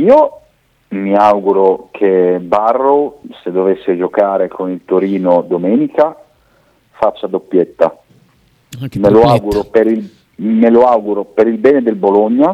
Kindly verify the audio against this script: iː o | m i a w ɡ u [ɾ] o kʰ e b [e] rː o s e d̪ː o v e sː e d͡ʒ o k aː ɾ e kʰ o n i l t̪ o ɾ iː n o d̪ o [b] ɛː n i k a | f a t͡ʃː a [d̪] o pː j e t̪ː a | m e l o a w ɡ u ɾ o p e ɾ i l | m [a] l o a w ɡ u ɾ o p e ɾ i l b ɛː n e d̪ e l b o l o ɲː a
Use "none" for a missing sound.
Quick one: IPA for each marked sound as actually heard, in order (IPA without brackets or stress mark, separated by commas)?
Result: ɾ, a, m, d̪, e